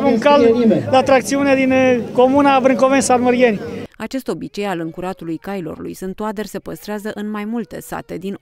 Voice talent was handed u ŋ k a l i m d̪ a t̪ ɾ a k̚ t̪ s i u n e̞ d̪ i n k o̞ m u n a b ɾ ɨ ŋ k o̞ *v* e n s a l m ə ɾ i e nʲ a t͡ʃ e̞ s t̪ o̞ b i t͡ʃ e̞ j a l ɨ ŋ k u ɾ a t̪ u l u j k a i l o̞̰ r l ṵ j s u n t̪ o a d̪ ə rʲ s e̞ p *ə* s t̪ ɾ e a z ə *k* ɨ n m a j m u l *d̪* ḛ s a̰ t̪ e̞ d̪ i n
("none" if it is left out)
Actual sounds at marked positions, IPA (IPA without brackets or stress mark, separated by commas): v, ə, ʔ, t̪